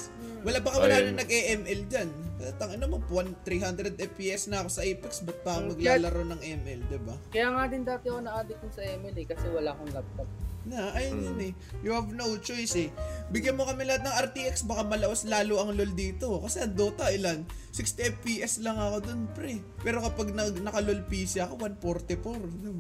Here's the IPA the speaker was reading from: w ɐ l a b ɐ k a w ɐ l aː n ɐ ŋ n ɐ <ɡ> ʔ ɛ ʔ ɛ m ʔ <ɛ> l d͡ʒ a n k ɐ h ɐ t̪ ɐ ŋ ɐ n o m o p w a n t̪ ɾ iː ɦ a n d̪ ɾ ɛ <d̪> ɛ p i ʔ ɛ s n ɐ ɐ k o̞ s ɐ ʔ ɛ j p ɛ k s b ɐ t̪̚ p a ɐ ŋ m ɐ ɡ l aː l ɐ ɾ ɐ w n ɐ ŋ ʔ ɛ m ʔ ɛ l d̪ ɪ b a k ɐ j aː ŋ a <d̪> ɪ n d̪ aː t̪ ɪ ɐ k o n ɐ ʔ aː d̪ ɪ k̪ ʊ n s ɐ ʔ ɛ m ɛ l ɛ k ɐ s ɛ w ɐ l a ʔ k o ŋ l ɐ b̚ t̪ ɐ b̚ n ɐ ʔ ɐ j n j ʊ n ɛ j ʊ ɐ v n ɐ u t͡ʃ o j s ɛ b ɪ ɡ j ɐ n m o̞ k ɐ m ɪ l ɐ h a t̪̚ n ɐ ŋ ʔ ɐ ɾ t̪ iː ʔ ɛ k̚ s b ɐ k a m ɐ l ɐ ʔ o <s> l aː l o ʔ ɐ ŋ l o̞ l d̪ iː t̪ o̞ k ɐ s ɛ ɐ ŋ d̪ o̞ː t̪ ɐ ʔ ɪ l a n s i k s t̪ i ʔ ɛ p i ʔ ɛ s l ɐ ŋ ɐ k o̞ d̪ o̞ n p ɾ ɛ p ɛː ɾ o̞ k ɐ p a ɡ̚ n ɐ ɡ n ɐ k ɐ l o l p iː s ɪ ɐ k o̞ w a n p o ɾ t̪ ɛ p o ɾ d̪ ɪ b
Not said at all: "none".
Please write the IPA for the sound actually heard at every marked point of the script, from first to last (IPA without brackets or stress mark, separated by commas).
ɡ, ɛ, d̪, d̪, s